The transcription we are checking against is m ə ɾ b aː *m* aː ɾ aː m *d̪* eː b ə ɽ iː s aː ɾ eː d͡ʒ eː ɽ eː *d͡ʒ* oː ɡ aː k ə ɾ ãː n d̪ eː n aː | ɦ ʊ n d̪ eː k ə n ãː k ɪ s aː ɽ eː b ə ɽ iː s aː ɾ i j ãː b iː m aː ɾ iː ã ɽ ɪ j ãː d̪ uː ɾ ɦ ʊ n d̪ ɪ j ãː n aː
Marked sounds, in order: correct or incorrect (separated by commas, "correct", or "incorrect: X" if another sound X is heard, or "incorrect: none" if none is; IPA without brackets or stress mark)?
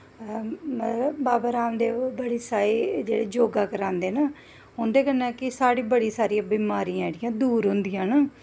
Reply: incorrect: b, correct, correct